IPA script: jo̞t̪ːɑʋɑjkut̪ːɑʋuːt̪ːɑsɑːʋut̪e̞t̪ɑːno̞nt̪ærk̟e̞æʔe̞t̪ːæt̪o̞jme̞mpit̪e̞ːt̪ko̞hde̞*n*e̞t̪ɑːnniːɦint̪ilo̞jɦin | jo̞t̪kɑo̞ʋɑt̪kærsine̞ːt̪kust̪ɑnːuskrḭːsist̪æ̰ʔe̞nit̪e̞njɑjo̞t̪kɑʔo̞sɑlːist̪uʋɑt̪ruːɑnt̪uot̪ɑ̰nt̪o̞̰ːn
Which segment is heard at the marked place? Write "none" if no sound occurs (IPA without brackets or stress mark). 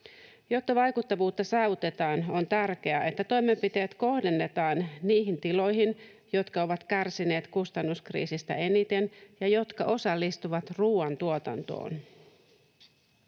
nː